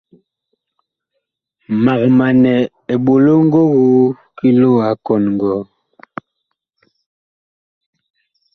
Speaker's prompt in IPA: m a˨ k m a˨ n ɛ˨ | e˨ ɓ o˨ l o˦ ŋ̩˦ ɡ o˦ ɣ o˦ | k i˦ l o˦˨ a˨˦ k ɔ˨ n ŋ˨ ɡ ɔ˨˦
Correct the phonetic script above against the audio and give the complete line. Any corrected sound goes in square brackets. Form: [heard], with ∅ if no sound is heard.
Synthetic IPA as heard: m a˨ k m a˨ n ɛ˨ | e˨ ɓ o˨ l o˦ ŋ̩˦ ɡ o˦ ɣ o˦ | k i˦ l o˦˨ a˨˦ k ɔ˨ n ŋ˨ ɡ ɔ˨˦